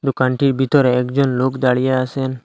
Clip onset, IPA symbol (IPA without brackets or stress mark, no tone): d̪